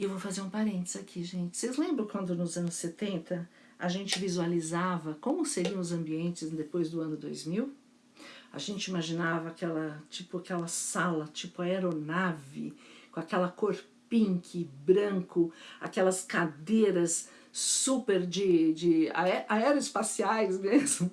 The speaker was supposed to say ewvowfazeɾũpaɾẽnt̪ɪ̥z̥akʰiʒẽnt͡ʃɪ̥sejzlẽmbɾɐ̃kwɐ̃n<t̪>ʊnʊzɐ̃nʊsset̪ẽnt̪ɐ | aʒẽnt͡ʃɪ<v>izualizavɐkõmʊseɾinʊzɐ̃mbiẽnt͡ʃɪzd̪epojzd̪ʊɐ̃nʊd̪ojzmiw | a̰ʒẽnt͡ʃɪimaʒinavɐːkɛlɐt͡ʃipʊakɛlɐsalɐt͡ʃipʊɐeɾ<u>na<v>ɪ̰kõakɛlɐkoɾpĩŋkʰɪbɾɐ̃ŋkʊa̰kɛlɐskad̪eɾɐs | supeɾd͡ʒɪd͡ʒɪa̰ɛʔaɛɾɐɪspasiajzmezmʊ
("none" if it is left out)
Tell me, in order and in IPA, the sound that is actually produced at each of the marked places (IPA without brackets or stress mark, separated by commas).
d̪, v, o, v